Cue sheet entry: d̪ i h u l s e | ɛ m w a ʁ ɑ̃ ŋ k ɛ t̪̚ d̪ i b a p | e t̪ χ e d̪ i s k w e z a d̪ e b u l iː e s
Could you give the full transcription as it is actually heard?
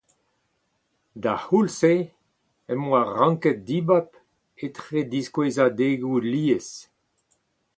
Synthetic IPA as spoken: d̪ a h u l s e | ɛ m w a ʁ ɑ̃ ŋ k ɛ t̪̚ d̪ i b a p | e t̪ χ e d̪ i s k w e z a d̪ e ɡ u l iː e s